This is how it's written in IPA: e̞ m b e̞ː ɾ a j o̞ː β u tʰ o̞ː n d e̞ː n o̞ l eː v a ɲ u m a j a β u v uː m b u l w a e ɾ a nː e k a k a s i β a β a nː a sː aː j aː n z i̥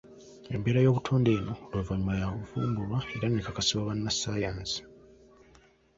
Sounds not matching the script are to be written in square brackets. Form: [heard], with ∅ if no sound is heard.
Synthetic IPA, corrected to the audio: e̞ m b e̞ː ɾ a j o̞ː β u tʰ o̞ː n d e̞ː n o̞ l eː v a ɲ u m a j a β u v uː m b u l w a e ɾ a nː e k a k a s i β a β a nː a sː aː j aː n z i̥